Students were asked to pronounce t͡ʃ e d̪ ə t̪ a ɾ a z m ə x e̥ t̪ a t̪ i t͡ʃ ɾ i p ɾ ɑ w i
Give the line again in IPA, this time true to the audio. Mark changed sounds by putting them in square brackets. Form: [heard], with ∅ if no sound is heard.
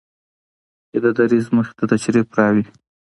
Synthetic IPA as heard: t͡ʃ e d̪ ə [d̪] a ɾ [i] z m ə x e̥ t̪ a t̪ [a] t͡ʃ ɾ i p ɾ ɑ w i